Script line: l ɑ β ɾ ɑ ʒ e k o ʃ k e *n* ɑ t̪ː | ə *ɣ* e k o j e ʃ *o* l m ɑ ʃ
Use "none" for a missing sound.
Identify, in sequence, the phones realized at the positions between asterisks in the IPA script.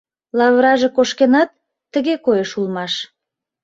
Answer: n, ɣ, u

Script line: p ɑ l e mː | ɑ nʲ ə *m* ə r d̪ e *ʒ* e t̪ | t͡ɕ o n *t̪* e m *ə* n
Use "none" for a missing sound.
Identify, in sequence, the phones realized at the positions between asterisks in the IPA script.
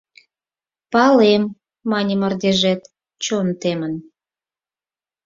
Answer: m, ʒ, t̪, ə

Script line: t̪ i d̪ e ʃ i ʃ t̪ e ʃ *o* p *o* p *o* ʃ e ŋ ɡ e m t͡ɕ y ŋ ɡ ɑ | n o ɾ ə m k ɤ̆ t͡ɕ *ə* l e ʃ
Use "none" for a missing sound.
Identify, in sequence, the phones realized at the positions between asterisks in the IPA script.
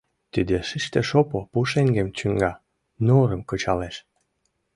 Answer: o, o, u, ɑ

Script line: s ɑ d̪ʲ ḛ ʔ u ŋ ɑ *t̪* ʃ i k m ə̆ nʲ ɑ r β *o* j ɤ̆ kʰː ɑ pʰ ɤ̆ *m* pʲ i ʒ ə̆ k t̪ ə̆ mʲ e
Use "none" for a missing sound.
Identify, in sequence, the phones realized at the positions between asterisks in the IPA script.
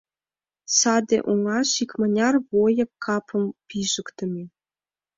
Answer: none, o, m

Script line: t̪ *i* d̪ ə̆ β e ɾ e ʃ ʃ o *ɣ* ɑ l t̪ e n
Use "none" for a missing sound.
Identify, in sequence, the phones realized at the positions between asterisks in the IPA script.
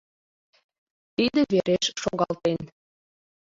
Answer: i, ɣ

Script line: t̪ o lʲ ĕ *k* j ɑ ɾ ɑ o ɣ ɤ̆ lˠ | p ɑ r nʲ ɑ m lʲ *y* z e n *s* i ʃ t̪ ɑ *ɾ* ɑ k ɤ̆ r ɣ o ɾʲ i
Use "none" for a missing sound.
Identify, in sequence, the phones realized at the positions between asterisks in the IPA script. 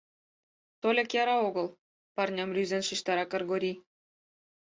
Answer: k, y, ʃ, ɾ

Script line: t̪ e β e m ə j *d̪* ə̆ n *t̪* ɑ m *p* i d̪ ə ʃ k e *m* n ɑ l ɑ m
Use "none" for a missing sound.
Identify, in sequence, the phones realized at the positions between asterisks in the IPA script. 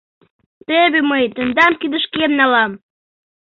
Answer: t̪, d̪, k, m

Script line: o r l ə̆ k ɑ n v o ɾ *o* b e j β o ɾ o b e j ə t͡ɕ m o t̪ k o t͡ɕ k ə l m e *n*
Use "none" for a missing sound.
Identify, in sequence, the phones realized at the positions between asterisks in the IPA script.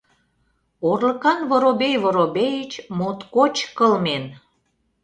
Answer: o, n

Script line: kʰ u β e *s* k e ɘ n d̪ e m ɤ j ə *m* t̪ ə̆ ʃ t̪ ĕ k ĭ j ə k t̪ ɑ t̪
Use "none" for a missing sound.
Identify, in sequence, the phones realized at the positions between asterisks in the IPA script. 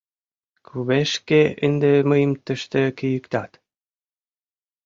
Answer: ʃ, m

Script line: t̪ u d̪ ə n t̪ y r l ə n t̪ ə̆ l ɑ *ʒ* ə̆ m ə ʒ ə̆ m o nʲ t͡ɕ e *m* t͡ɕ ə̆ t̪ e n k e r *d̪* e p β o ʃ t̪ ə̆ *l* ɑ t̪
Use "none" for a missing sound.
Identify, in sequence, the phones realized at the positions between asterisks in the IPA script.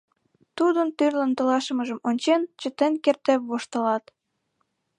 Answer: ʃ, n, t̪, l

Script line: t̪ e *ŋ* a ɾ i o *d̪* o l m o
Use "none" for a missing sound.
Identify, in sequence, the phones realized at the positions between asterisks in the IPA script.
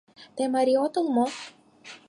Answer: m, t̪

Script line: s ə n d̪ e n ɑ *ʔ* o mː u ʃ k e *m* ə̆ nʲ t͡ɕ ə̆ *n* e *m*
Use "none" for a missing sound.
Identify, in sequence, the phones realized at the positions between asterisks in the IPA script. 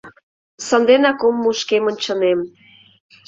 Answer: k, m, n, m

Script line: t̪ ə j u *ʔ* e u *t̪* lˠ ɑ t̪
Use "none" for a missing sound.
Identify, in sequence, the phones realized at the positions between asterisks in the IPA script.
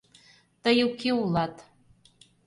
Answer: k, none

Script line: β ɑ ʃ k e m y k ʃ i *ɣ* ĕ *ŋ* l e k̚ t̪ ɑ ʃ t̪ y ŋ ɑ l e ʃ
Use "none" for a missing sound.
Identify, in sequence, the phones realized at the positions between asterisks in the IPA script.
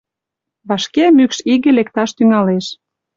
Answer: ɣ, none

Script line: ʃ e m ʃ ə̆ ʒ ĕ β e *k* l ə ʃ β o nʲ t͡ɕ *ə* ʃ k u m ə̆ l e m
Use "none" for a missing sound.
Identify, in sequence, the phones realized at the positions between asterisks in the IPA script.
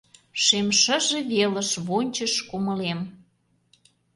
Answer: none, ə

